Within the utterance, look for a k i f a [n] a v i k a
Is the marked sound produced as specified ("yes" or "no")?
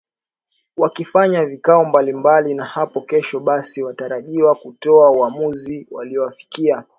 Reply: no